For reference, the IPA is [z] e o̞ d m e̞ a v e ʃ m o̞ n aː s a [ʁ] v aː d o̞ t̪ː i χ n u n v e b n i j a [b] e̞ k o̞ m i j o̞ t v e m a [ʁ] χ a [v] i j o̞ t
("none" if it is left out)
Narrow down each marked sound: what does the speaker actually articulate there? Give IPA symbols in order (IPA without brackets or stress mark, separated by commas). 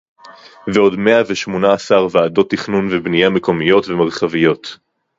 v, ʁ, m, ʁ, v